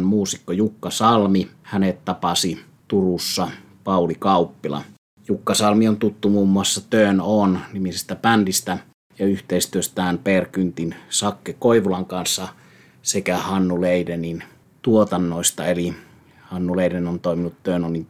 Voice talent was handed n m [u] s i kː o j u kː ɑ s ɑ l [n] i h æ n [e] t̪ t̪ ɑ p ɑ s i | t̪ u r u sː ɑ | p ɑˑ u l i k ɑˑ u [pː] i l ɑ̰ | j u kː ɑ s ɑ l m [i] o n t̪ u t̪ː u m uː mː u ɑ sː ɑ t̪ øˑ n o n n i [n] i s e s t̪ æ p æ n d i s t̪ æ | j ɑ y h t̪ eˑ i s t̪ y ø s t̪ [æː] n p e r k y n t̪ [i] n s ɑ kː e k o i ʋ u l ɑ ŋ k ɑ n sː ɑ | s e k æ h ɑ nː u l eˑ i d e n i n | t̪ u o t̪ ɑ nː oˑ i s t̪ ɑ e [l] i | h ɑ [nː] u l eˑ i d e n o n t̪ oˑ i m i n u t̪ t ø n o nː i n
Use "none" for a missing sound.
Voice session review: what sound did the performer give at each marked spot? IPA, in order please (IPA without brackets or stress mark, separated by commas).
uː, m, e, pː, i, m, æː, i, l, nː